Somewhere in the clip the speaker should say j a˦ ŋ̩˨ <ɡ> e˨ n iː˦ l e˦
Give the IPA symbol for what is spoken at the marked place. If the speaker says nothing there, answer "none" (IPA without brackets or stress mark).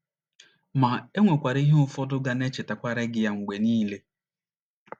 ɡ͡b